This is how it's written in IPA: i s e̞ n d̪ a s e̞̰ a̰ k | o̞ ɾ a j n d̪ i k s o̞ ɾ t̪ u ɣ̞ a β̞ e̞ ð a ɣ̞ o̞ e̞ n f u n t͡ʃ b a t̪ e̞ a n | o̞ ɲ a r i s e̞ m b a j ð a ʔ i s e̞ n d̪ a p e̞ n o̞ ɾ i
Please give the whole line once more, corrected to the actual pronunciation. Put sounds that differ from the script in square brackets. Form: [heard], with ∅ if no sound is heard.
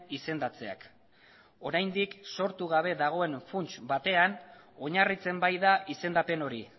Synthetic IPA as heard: i s e̞ n d̪ a [t͡s] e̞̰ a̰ k | o̞ ɾ a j n d̪ i k s o̞ ɾ t̪ u ɣ̞ a β̞ e̞ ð a ɣ̞ o̞ e̞ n f u n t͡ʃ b a t̪ e̞ a n | o̞ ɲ a r i [t͡s] e̞ m b a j ð a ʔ i s e̞ n d̪ a p e̞ n o̞ ɾ i